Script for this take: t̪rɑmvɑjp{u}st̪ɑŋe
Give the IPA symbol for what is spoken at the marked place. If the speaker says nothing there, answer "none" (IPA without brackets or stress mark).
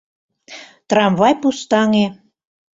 u